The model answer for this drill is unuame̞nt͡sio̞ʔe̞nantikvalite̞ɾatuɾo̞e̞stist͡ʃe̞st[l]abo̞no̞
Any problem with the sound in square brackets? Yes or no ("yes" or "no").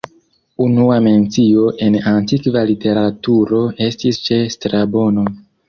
yes